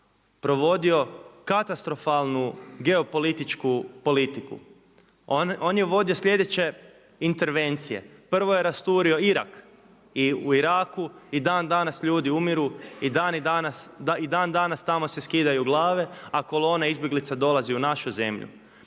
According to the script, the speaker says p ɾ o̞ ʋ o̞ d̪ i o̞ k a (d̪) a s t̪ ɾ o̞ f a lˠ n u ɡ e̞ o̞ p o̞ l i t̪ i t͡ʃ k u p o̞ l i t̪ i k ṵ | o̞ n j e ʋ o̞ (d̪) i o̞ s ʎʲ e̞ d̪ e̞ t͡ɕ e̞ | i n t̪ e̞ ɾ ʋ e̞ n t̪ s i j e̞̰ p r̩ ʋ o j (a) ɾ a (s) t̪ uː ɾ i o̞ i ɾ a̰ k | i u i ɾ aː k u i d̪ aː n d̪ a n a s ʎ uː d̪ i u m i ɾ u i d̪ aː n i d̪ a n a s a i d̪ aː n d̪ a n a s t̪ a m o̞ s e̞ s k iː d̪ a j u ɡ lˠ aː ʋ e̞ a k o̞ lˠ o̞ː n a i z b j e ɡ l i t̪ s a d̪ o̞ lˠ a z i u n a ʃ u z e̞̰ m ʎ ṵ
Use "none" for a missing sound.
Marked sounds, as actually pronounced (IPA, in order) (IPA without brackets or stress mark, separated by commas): t̪, d̪, e, s